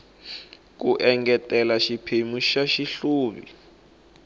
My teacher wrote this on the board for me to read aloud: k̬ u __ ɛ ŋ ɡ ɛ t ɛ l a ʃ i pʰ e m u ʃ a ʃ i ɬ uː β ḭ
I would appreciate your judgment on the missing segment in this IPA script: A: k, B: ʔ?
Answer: B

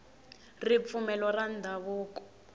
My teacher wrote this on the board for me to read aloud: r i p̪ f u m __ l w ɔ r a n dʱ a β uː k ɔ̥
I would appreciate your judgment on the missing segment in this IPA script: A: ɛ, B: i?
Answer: A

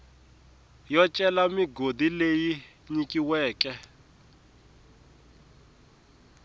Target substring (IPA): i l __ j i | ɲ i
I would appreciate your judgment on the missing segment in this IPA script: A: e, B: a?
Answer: A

